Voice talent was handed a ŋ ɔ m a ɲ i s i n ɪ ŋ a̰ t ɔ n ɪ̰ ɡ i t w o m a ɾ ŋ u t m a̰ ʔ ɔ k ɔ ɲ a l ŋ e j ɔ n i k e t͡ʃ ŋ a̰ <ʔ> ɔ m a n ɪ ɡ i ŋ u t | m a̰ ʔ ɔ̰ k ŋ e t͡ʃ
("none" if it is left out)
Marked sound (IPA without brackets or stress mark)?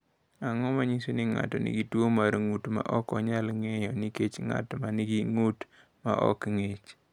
t